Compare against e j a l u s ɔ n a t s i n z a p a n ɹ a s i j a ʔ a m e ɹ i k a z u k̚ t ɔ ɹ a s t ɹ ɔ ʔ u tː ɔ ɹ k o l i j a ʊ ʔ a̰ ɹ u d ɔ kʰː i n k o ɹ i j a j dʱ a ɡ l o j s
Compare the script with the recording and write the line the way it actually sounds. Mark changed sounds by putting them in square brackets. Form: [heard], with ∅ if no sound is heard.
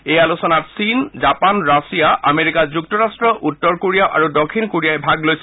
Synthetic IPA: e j a l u s ɔ n a t s i n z a p a n ɹ a s i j a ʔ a m e ɹ i k a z u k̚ t ɔ ɹ a s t ɹ ɔ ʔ u tː ɔ ɹ k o [ɹ] i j a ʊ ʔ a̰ ɹ u d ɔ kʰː i n k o ɹ i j a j [bʱ] a ɡ l o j s